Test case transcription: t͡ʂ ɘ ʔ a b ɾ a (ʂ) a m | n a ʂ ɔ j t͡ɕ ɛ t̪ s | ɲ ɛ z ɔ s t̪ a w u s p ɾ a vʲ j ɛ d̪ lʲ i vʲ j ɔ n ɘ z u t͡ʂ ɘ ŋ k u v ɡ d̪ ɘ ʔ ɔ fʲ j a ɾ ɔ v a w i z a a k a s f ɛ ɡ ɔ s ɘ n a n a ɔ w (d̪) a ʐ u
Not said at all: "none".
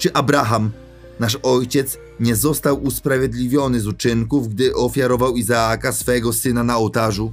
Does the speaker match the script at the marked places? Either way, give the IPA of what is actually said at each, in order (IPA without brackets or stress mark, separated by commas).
x, t̪